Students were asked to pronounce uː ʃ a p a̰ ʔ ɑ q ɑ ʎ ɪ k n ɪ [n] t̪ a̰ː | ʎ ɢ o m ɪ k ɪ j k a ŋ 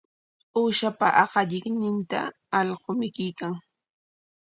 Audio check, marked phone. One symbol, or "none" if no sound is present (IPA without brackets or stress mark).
n